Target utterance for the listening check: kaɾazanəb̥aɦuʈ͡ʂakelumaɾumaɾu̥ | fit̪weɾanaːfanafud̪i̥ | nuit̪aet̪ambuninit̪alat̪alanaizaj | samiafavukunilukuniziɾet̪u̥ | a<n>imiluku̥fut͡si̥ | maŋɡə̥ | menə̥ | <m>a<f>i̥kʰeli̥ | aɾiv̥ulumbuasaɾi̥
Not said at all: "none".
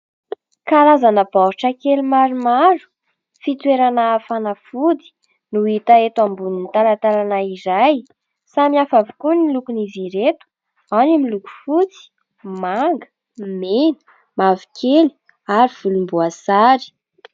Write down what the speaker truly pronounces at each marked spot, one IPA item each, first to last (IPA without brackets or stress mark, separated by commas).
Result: n, m, v